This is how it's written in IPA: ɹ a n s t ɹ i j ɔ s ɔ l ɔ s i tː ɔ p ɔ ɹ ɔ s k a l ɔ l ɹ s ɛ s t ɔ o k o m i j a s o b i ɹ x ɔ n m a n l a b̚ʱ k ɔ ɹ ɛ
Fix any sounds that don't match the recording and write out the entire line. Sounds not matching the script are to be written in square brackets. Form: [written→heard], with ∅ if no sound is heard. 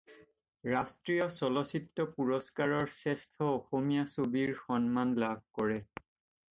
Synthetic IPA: ɹ a [n→∅] s t ɹ i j ɔ s ɔ l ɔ s i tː ɔ p [ɔ→u] ɹ ɔ s k a [l→ɹ] ɔ [l→∅] ɹ s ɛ s [t→tʰ] ɔ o [k→x] o m i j a s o b i ɹ x ɔ n m a n l a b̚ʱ k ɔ ɹ ɛ